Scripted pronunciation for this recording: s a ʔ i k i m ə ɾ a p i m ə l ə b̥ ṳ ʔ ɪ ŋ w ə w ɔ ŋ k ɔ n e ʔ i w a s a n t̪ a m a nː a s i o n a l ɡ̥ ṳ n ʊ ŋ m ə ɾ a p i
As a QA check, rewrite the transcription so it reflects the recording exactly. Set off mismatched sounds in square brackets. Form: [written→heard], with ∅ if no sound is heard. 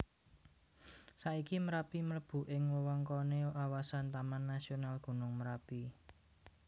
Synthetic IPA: s a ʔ i k i m ə ɾ a p i m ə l ə b̥ ṳ ʔ ɪ ŋ w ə w ɔ ŋ k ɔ n e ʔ [i→a] w a s a n t̪ a m a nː a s i o n a l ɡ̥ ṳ n ʊ ŋ m ə ɾ a p i